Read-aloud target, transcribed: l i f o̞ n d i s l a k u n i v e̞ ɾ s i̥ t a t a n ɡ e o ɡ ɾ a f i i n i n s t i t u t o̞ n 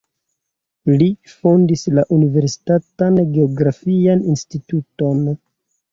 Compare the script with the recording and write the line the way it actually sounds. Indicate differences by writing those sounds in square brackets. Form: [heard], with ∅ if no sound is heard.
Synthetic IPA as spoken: l i f o̞ n d i s l a [ʔ] u n i v e̞ ɾ s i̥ t a t a n ɡ e o ɡ ɾ a f i [a] n i n s t i t u t o̞ n